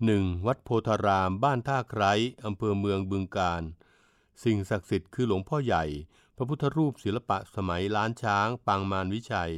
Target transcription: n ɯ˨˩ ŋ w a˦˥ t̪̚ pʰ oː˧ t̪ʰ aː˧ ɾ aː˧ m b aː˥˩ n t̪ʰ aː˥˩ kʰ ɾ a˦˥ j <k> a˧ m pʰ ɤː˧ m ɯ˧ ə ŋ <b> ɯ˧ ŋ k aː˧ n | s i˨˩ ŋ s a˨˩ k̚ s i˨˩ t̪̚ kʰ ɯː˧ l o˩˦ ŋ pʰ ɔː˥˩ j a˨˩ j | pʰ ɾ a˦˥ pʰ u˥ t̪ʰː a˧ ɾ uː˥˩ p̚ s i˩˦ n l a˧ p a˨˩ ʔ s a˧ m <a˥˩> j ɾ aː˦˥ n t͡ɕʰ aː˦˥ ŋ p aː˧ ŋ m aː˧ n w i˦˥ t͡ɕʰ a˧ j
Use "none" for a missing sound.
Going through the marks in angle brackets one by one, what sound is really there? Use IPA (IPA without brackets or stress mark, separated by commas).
ʔ, b, a˩˦